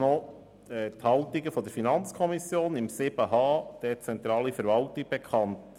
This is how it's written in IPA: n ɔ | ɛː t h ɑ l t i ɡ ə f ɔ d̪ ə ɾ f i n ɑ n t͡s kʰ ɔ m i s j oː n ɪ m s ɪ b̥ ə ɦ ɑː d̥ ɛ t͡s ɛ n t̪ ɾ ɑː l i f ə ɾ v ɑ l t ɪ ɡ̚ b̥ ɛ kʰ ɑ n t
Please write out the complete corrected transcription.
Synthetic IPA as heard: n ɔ | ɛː t h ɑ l t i ɡ ə f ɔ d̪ ə ɾ f i n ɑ n t͡s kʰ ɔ m i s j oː n ɪ m s ɪ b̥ ə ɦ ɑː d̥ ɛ t͡s ɛ n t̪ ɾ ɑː l i f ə ɾ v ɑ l t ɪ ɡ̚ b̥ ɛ kʰ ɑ n t